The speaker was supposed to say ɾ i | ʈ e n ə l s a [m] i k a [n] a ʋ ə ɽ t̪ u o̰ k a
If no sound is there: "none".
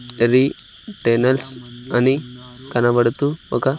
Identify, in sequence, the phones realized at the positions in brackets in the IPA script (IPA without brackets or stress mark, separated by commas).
n, n